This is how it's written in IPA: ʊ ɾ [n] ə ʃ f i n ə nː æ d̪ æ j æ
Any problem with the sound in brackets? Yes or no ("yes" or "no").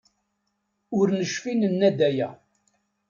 no